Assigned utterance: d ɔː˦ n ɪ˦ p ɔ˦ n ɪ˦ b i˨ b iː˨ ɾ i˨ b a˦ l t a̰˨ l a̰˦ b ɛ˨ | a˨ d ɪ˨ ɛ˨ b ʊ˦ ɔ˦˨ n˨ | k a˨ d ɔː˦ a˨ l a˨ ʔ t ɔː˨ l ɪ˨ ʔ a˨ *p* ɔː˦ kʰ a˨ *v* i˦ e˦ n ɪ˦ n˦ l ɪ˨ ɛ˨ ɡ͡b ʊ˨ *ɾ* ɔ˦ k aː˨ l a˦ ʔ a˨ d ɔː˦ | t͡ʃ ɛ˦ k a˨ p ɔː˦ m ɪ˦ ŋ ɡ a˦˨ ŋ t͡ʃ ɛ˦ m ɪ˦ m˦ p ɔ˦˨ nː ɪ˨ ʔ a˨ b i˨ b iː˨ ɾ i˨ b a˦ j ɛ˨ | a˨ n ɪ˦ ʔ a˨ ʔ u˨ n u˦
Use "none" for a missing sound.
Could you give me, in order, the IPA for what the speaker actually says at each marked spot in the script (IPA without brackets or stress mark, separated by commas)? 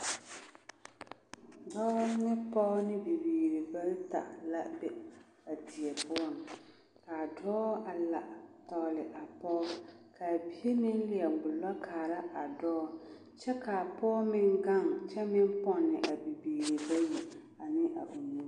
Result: p, b, l